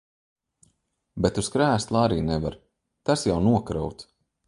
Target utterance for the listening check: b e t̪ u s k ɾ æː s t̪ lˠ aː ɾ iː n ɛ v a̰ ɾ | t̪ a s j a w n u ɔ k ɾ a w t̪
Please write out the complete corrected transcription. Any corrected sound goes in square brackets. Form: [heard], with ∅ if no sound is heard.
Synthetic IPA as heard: b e t̪ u s k ɾ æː s t̪ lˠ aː ɾ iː n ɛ v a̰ ɾ | t̪ a s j a w n u ɔ k ɾ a w t̪